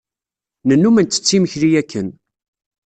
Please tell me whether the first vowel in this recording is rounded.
no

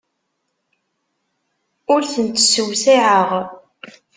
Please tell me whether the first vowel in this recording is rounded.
yes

